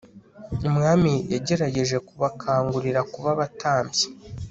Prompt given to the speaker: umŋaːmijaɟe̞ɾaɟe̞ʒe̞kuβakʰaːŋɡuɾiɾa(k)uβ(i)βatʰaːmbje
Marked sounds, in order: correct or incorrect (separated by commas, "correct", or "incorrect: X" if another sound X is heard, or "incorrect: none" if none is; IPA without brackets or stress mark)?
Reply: correct, incorrect: a